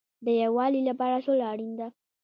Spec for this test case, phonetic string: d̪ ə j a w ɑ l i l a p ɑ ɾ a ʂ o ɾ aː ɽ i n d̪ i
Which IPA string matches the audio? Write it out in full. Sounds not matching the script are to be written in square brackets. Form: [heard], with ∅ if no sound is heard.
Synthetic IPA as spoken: d̪ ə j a w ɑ l i l a p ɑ ɾ a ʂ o [l] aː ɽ i n d̪ [a]